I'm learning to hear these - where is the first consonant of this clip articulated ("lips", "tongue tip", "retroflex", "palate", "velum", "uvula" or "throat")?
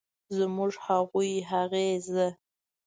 tongue tip